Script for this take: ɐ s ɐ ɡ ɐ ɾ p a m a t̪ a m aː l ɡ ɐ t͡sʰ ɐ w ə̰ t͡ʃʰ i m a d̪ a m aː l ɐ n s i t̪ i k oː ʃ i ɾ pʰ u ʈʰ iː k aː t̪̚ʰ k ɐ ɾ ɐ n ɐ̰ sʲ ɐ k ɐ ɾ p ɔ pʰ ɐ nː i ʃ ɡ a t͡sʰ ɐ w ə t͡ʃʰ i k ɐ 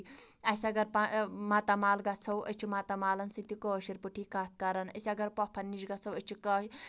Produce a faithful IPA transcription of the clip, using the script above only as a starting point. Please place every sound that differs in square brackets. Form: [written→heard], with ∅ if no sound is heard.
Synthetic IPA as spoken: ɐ s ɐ ɡ ɐ ɾ p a m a t̪ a m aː l ɡ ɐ t͡sʰ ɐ w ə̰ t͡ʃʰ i m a [d̪→t̪] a m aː l ɐ n s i t̪ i k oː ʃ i ɾ [pʰ→p] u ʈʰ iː k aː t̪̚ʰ k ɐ ɾ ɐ n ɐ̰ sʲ ɐ [k→ɡ] ɐ ɾ p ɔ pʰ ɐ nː i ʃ ɡ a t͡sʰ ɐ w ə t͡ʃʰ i k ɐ